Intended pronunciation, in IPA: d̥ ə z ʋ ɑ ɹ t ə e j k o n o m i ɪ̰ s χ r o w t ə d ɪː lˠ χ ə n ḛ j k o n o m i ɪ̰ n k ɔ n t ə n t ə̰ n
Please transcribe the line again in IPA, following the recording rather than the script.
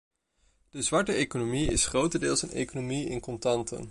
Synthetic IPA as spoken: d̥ ə z ʋ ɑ ɹ t ə e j k o n o m i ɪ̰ s χ r o w t ə d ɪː lˠ s ə n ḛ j k o n o m i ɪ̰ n k ɔ n t ɑ n t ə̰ n